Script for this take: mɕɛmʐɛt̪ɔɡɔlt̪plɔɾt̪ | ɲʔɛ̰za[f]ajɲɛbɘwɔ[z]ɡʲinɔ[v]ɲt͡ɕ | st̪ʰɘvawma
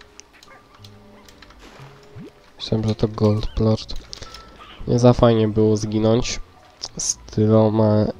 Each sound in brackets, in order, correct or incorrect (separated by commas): correct, correct, incorrect